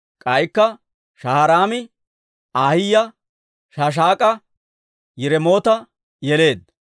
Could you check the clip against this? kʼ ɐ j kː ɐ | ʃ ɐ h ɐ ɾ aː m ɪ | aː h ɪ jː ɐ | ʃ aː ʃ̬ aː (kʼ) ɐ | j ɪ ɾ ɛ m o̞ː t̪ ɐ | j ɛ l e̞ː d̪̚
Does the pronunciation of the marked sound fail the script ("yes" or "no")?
no